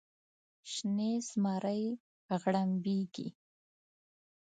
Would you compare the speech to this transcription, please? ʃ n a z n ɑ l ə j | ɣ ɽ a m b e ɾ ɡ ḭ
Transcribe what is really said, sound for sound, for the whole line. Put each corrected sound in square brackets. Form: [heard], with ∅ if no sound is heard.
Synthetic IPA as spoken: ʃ n [e] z [m] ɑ [ɾ] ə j | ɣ ɽ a m b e [∅] ɡ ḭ

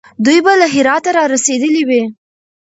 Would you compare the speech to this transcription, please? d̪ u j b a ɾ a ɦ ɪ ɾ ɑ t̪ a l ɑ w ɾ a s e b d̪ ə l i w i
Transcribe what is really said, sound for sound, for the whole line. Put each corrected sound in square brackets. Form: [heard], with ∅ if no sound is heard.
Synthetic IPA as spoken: d̪ u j b a [l] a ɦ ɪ ɾ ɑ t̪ a [ɾ] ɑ [∅] ɾ a s e [∅] d̪ ə l i w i

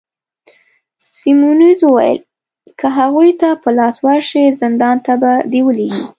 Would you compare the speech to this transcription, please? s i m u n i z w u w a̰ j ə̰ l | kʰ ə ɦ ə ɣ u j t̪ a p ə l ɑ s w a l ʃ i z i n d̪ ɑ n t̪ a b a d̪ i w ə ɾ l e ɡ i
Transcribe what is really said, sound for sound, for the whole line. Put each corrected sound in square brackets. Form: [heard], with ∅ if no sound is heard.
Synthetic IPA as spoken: s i m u n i z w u w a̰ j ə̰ l | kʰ ə ɦ [a] ɣ u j t̪ a p ə l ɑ s w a [ɾ] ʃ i z [ɪ] n d̪ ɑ n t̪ a b a d̪ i w ə [∅] l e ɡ i

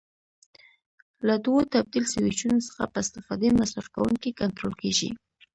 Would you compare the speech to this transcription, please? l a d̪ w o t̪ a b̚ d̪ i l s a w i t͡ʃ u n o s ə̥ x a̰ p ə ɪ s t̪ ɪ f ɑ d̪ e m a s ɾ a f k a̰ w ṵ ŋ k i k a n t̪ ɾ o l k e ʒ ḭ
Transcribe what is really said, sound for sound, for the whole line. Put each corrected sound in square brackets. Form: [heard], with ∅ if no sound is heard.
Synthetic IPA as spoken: l a d̪ w o t̪ a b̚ d̪ i l s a w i t͡ʃ u n o s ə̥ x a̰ p ə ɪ s t̪ ɪ f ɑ d̪ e m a s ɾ a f k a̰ w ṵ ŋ k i k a n t̪ ɾ o l k e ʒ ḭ

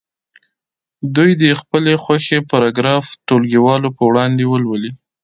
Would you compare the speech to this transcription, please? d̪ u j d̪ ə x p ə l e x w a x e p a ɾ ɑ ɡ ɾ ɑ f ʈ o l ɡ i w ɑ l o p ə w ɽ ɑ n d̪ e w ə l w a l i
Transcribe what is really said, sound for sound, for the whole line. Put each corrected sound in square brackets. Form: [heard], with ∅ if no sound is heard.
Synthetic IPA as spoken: d̪ u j d̪ ə x p ə l e x w a x e p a ɾ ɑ ɡ ɾ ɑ f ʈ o l ɡ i w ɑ l o p ə w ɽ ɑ n d̪ e w ə l w [ə] l i

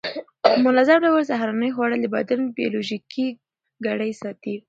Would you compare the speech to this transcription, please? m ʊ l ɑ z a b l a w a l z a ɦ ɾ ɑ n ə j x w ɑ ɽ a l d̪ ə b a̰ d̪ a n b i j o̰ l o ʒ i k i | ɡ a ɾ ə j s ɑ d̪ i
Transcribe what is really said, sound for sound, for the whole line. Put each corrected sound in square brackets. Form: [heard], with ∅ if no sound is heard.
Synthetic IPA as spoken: m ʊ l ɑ z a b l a w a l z a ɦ ɾ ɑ n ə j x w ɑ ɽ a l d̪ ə b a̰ d̪ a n b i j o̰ l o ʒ i k i | ɡ a [ɽ] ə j s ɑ [t̪] i

